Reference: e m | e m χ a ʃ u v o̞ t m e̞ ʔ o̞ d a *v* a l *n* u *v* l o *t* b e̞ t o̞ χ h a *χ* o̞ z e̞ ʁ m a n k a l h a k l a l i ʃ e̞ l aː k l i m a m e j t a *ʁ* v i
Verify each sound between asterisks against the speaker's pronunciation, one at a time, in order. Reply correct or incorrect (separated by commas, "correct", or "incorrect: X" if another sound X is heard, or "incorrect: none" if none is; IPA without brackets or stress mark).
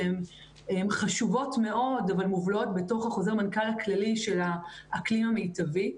correct, incorrect: m, correct, correct, correct, incorrect: none